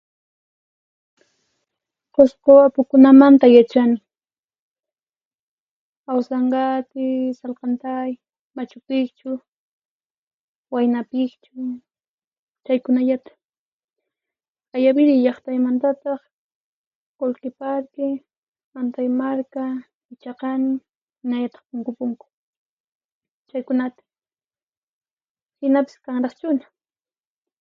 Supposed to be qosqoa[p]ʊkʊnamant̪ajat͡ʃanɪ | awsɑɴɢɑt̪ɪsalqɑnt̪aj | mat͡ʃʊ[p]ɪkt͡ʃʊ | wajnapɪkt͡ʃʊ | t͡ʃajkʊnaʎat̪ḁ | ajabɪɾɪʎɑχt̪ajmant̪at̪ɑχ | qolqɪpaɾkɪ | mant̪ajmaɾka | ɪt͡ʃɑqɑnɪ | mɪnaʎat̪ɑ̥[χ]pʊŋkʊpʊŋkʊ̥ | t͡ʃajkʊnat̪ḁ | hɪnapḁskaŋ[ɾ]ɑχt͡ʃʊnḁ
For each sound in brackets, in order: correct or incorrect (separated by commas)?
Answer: correct, correct, correct, correct